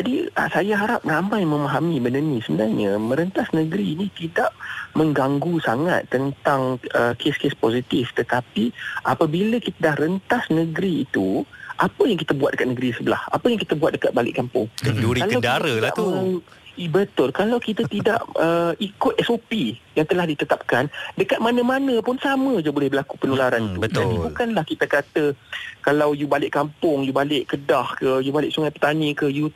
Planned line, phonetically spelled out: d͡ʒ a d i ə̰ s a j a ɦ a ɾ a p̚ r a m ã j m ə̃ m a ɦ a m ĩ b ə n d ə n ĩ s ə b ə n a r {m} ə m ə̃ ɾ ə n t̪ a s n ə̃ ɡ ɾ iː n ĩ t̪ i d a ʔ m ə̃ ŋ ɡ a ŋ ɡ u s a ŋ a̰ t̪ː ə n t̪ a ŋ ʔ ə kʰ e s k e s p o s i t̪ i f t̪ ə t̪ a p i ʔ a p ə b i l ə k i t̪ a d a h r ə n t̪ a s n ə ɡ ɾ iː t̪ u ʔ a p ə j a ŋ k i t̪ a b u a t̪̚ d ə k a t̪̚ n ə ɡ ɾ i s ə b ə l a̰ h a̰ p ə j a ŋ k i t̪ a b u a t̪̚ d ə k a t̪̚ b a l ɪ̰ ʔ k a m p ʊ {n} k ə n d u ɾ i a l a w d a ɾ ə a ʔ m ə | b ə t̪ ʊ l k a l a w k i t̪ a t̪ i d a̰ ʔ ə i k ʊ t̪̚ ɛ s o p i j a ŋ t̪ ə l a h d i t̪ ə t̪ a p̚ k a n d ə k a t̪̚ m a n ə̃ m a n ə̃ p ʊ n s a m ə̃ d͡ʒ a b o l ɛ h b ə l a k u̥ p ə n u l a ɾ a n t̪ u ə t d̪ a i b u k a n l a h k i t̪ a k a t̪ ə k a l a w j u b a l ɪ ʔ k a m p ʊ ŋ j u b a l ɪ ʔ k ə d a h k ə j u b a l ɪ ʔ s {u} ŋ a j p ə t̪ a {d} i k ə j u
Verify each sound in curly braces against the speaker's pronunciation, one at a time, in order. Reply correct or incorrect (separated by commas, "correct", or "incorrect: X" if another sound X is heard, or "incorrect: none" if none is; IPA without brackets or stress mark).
incorrect: ɲ, incorrect: ŋ, correct, incorrect: n